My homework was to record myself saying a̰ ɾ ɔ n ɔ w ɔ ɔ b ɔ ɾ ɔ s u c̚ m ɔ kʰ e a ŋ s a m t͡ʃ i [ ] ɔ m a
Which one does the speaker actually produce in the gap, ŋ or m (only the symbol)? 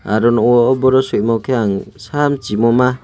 m